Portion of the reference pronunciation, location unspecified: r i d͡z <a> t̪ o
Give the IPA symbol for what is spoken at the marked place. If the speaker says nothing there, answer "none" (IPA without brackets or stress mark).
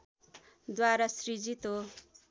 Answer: i